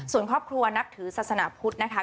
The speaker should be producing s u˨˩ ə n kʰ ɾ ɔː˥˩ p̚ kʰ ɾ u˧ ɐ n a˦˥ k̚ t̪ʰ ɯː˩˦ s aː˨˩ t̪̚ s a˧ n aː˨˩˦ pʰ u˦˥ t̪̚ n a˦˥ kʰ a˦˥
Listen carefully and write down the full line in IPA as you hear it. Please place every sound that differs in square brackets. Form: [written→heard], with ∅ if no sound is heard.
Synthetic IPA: s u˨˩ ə n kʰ ɾ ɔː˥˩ p̚ kʰ ɾ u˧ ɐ n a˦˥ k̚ t̪ʰ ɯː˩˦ s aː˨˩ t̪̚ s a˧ n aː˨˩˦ pʰ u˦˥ t̪̚ n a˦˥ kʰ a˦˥

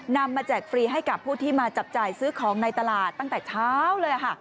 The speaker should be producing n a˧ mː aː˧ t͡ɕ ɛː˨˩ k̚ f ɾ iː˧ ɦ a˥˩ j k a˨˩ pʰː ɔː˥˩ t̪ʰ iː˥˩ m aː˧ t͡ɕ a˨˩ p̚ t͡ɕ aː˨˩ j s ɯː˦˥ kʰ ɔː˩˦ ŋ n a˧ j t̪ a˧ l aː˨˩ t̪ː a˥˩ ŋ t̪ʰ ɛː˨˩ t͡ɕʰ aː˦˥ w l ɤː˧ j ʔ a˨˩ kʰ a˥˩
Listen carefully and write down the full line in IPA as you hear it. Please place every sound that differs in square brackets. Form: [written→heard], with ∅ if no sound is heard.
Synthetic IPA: n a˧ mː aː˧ t͡ɕ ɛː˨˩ k̚ f ɾ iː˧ ɦ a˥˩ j k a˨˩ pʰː [ɔː˥˩→uː˥˩] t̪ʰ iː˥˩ m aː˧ t͡ɕ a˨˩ p̚ t͡ɕ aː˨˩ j s ɯː˦˥ kʰ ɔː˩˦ ŋ n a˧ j t̪ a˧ l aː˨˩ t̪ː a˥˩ ŋ [t̪ʰ→t̪] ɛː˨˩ t͡ɕʰ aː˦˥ w l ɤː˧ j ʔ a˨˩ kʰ a˥˩

